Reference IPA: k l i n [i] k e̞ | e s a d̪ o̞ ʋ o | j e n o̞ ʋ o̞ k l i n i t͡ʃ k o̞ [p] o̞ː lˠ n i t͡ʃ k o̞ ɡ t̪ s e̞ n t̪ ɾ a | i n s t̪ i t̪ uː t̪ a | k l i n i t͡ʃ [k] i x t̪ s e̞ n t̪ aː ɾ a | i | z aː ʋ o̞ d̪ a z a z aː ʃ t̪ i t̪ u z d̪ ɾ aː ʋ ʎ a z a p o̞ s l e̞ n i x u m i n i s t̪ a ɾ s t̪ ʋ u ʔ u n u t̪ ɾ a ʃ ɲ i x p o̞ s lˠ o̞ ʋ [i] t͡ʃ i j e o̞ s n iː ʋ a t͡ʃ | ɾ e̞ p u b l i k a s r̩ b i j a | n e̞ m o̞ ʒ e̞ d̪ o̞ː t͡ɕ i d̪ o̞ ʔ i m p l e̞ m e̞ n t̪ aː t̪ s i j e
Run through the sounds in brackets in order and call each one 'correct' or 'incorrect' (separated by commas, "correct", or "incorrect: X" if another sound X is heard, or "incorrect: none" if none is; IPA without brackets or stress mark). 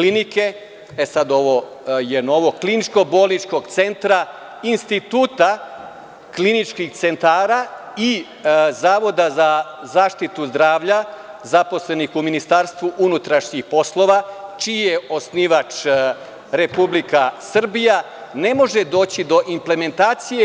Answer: correct, incorrect: b, correct, incorrect: a